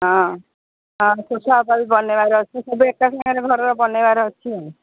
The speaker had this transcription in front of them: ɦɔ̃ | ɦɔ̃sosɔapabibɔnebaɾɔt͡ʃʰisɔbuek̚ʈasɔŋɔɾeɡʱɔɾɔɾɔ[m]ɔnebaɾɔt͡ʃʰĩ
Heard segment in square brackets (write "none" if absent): b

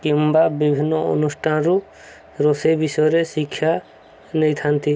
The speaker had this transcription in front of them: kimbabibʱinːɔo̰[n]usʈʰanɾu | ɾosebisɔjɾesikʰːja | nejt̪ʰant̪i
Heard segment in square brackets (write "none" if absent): n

